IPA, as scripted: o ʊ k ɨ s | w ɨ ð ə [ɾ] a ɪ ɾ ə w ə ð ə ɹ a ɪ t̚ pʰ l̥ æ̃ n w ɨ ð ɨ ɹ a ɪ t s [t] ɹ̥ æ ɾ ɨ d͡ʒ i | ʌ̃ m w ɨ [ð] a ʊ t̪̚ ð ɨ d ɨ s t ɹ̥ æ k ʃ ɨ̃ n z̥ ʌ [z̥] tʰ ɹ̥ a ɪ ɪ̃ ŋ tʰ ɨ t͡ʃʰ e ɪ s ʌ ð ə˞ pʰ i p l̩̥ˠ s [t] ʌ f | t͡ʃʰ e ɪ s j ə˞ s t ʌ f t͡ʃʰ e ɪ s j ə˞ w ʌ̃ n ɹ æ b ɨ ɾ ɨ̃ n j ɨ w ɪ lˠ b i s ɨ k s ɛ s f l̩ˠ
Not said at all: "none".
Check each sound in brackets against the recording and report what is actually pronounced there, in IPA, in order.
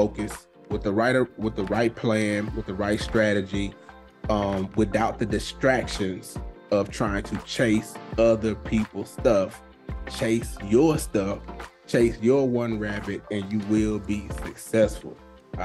ɹ, t, θ, v̥, t

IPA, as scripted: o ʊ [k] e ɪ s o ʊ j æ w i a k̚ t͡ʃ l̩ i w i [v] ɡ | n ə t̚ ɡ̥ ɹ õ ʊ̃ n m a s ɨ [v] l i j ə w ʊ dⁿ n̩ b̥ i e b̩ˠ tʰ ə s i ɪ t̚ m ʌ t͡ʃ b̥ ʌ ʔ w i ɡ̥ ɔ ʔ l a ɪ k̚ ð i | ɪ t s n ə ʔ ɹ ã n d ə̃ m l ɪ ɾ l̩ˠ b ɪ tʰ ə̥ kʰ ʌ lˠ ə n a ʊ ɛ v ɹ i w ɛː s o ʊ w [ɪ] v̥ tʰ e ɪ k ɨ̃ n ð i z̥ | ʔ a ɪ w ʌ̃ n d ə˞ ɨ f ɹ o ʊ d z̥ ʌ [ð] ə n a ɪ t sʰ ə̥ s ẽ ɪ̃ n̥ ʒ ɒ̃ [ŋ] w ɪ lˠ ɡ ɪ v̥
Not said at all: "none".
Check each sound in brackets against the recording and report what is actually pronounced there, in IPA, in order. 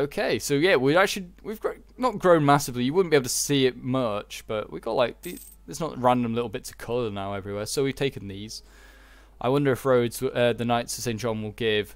kʰ, v, v, i, ð, n

